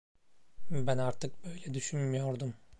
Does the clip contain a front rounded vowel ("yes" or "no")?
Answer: yes